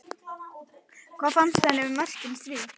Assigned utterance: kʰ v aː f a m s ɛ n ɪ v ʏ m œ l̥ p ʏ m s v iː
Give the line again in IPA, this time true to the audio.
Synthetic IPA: kʰ v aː f a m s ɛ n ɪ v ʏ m œ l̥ c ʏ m s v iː